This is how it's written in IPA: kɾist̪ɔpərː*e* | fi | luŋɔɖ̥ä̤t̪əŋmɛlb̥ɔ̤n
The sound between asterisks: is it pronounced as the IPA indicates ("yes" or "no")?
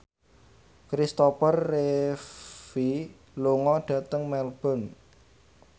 yes